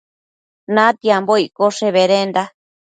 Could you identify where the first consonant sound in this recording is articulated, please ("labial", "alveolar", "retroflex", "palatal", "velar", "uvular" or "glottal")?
alveolar